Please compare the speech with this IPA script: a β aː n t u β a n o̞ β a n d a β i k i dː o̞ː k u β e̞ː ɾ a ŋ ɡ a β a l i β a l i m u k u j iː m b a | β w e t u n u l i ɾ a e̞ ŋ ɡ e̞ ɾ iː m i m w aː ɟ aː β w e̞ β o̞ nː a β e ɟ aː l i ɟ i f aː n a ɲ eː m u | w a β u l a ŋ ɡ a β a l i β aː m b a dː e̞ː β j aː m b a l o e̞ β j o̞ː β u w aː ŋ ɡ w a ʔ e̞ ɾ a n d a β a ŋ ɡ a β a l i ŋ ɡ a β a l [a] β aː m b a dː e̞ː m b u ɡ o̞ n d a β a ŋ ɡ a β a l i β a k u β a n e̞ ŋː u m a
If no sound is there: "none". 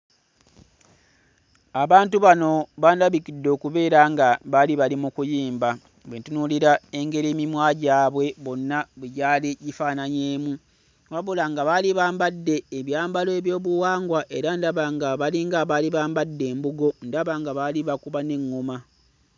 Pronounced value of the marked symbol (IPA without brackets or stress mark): i